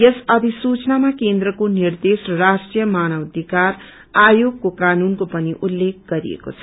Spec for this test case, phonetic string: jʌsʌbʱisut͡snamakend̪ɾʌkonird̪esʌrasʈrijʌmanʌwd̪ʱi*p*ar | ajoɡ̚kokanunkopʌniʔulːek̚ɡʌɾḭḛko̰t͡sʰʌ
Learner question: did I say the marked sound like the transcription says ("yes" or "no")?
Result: no